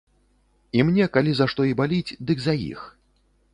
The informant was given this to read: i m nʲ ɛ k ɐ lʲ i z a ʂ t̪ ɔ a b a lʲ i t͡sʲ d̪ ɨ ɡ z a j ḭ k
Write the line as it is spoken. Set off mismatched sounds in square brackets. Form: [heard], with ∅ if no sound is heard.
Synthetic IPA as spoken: i m nʲ ɛ k [a] lʲ i z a ʂ t̪ ɔ [i] b a lʲ i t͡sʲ d̪ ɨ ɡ z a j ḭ [x]